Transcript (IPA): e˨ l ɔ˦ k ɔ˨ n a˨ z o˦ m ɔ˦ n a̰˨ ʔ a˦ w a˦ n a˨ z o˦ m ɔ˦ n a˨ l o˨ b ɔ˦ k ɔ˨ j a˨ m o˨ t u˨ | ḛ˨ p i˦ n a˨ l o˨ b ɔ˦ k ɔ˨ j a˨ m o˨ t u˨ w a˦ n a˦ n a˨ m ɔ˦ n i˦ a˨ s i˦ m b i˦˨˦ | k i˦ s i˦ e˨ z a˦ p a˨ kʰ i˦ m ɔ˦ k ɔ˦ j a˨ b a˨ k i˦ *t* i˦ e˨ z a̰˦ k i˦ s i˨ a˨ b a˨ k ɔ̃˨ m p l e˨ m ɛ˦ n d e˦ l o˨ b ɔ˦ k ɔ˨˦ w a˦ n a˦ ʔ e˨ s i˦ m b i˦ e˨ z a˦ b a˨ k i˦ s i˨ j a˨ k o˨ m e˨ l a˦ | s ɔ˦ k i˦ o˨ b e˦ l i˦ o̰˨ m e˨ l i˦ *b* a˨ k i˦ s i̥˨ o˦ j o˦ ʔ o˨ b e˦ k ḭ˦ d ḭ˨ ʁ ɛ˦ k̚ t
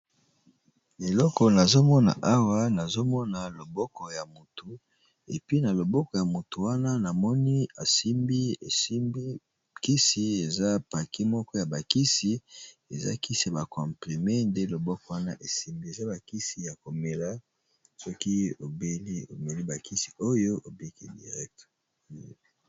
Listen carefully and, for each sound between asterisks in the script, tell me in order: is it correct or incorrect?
incorrect: s, correct

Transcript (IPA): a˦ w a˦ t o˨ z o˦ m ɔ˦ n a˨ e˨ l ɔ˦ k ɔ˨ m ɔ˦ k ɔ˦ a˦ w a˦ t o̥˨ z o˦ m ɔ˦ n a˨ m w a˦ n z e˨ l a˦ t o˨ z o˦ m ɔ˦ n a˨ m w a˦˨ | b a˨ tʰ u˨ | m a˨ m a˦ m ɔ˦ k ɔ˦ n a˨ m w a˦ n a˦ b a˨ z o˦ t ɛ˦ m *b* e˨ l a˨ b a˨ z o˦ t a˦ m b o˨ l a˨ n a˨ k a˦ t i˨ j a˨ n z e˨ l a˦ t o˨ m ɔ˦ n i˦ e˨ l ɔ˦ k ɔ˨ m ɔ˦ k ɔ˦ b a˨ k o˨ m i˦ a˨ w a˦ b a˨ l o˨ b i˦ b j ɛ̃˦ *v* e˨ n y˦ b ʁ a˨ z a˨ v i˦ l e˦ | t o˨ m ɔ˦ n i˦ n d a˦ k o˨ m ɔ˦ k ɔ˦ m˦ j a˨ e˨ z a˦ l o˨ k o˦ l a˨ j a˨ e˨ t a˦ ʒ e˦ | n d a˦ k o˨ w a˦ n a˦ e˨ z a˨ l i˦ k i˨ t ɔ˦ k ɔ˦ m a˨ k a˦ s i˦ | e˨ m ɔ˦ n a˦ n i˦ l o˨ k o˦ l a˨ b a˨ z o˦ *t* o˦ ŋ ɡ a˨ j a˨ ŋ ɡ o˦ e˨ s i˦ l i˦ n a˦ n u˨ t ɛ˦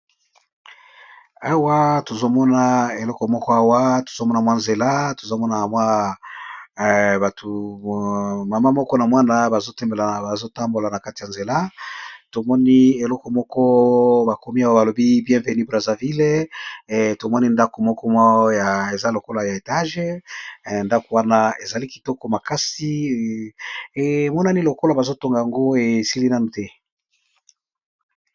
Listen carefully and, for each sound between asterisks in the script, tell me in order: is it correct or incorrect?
correct, correct, correct

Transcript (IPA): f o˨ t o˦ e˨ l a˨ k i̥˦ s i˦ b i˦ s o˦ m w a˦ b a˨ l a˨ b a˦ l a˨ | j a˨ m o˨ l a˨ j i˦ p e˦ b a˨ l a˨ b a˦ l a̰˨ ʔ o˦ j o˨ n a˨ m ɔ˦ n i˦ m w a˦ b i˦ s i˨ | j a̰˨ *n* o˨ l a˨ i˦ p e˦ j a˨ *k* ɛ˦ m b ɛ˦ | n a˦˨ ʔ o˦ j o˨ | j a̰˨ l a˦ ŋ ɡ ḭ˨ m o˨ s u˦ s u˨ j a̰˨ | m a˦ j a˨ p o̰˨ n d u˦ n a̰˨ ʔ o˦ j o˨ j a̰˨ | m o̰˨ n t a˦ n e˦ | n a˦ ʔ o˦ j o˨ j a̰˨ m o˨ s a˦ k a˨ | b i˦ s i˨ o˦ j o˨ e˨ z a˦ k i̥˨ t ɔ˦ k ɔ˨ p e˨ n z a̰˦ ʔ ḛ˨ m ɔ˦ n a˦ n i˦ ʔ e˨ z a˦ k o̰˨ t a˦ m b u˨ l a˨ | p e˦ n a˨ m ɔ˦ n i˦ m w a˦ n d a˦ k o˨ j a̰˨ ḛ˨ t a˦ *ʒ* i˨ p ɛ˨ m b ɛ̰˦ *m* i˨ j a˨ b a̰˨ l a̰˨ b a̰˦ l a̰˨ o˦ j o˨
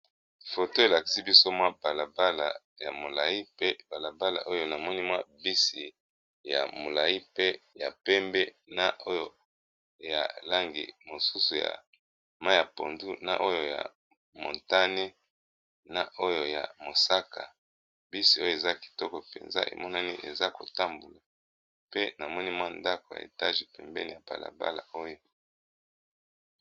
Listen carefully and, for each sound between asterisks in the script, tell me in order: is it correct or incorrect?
incorrect: m, incorrect: p, correct, incorrect: n

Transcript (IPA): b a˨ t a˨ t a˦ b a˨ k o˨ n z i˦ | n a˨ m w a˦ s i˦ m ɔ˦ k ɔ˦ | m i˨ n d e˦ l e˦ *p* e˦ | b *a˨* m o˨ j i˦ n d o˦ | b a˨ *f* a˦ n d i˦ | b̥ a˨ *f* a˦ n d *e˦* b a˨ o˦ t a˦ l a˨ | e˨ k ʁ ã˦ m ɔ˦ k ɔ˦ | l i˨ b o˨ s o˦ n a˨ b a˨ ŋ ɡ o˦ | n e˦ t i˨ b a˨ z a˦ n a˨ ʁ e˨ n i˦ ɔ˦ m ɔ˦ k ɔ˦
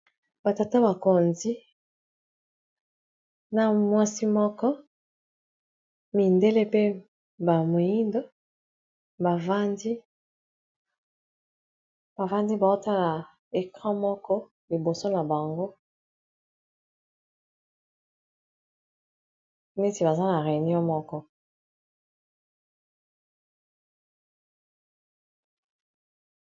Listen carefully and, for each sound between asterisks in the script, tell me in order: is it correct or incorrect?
correct, correct, incorrect: v, incorrect: v, incorrect: i˦

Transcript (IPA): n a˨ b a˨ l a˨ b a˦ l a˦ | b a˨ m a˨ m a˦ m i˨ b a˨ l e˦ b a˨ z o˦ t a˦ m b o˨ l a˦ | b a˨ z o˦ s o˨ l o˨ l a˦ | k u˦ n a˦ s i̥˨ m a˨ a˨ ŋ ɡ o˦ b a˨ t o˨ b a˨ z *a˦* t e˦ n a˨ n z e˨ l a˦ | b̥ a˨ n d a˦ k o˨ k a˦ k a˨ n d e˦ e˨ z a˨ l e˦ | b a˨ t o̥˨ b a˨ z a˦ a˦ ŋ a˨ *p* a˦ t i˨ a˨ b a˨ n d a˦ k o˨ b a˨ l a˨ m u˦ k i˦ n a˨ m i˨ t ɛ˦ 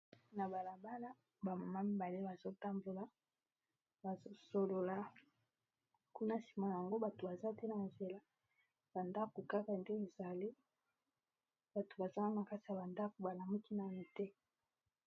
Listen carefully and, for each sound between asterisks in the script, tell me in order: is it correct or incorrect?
correct, incorrect: k

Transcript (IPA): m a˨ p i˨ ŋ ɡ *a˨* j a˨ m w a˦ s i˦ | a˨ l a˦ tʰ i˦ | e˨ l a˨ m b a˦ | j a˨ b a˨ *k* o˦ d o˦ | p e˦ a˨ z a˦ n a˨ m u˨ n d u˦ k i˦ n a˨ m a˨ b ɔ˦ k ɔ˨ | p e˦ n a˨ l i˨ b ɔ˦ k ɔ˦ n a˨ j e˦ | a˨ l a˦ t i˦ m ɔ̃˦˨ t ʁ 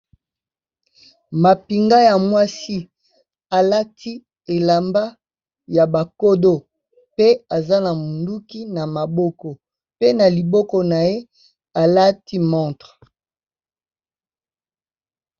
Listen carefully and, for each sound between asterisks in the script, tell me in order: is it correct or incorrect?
incorrect: a˦, correct

